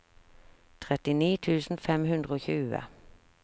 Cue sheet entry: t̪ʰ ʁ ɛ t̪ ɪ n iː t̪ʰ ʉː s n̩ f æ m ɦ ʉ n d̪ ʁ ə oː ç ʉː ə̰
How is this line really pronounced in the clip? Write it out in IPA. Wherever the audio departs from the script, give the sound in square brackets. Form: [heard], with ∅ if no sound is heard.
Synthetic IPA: t̪ʰ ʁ ɛ t̪ ɪ n iː t̪ʰ ʉː s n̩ f [ɛ] m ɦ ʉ n d̪ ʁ ə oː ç ʉː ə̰